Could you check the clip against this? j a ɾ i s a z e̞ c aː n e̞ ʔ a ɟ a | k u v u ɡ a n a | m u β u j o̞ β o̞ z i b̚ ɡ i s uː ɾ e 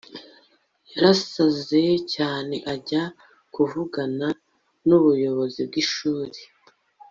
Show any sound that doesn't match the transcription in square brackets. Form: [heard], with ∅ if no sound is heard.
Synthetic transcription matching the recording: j a ɾ [a] s a z e̞ c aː n e̞ ʔ a ɟ a | k u v u ɡ a n a | [n] u β u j o̞ β o̞ z i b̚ ɡ i [ʃ] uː ɾ e